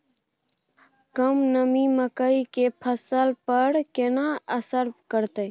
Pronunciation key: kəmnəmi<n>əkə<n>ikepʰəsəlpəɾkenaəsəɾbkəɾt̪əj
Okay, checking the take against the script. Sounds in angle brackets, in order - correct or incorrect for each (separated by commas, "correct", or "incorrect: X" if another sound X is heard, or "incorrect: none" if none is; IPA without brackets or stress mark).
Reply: incorrect: m, incorrect: none